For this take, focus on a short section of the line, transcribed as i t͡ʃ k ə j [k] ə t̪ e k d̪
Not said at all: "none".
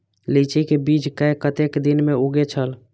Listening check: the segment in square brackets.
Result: k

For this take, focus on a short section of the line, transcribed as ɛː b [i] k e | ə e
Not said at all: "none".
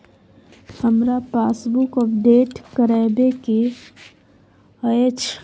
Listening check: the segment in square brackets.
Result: e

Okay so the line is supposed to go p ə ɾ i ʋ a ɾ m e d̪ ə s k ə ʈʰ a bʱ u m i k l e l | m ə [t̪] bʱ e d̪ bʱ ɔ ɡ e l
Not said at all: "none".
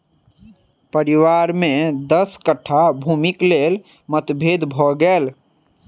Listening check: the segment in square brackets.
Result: t̪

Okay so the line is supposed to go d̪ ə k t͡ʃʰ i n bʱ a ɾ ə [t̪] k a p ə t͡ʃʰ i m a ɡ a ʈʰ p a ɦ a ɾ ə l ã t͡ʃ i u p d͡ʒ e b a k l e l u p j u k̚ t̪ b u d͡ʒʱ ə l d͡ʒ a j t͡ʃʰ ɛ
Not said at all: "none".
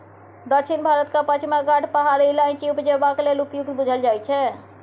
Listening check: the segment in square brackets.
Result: t̪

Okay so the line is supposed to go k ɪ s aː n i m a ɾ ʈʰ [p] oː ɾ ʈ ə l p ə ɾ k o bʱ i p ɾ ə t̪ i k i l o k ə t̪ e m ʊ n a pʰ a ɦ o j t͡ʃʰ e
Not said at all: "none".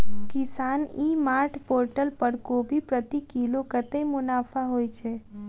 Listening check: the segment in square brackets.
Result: p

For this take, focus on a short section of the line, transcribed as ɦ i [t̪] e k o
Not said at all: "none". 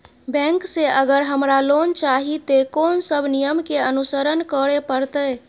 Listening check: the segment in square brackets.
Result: t̪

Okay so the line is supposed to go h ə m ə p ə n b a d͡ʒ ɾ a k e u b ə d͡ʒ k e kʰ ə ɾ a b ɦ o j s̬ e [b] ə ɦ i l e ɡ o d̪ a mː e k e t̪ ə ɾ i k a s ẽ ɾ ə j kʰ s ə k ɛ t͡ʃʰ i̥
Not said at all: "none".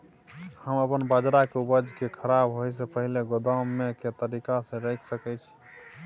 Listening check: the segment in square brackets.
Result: p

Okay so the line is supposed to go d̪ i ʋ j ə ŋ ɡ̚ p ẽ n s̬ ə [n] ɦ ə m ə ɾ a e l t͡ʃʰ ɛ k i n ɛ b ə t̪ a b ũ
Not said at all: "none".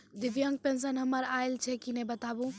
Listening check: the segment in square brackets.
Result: n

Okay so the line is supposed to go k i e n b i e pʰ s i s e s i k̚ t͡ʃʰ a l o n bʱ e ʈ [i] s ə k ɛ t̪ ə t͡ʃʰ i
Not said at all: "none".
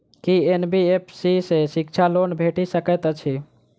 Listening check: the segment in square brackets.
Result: i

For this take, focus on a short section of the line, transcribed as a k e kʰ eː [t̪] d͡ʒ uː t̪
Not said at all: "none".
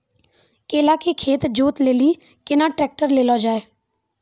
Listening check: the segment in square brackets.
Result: t̪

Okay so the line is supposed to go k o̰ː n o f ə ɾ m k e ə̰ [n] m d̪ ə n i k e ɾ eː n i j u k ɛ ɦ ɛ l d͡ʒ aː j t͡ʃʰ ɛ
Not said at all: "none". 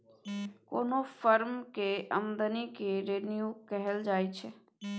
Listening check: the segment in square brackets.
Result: none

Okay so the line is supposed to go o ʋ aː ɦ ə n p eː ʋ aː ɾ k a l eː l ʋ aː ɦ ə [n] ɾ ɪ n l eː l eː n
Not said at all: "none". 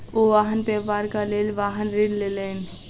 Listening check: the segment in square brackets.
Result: n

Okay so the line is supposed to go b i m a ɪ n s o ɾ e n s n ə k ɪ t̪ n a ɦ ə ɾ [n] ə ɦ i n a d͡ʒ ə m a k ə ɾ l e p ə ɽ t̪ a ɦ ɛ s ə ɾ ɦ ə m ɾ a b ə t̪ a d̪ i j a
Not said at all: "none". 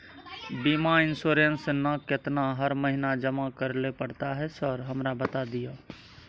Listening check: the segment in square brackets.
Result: m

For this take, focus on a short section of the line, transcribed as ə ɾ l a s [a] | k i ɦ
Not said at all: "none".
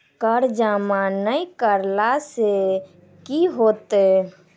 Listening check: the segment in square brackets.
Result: e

